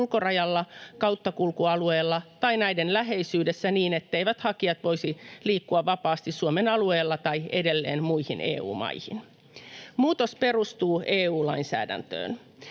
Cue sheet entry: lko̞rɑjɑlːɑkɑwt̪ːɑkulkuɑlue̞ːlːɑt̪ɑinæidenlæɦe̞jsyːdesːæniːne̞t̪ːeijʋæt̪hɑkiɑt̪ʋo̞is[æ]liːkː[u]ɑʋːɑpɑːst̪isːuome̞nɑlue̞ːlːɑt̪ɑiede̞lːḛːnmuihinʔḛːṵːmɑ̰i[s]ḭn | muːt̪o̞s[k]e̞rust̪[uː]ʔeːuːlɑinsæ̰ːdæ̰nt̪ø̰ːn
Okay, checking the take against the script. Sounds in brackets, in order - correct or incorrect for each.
incorrect, correct, incorrect, incorrect, correct

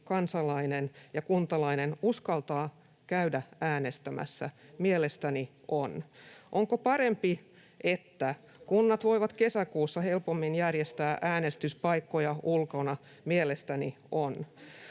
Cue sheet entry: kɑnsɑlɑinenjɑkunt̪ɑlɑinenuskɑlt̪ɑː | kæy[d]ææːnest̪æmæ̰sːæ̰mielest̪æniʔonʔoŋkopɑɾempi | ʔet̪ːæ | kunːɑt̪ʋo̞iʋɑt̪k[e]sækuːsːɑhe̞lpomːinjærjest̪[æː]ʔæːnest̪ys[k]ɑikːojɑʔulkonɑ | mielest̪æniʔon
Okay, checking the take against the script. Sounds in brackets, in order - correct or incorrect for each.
correct, correct, correct, incorrect

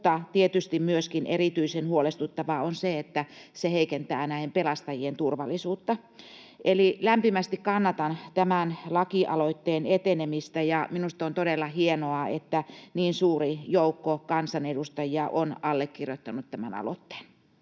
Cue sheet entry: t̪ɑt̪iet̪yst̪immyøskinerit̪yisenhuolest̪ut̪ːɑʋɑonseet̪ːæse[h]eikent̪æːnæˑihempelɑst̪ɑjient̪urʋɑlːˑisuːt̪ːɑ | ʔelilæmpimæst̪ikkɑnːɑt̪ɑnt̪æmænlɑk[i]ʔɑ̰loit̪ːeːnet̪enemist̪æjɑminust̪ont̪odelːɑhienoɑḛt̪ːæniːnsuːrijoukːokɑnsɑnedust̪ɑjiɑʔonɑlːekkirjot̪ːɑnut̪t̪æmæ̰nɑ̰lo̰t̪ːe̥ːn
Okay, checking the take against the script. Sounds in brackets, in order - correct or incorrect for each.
correct, correct

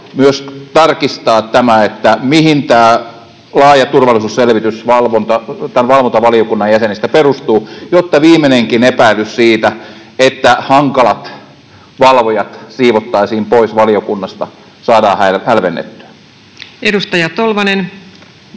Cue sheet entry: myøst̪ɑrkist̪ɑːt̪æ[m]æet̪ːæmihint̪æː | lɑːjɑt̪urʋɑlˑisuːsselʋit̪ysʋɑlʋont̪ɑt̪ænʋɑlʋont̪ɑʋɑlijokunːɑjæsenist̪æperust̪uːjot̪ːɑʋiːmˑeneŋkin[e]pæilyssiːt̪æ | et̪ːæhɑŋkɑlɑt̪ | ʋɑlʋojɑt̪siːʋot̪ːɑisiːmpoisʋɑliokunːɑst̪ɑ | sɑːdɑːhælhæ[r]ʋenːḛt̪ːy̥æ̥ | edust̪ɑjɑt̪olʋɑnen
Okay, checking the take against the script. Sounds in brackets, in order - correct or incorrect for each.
correct, correct, incorrect

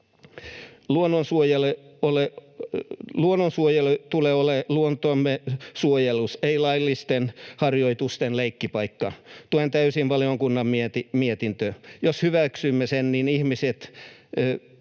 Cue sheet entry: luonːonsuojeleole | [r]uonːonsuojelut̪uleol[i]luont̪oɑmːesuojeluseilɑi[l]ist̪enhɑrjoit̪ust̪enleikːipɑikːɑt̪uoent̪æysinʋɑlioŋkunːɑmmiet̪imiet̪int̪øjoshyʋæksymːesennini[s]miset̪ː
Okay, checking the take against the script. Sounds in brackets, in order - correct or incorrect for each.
incorrect, incorrect, incorrect, incorrect

